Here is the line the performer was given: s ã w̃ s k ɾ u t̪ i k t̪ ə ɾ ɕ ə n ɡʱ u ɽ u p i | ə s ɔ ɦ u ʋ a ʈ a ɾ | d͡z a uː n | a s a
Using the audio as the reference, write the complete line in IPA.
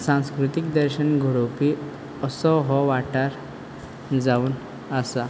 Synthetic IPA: s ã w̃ s k ɾ u t̪ i k d̪ ə ɾ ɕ ə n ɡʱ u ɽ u p i | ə s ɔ ɦ ɔ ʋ a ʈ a ɾ | d͡z a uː n | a s a